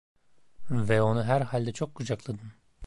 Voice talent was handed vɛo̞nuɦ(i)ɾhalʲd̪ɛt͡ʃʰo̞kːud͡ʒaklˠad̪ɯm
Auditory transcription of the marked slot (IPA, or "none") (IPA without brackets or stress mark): æ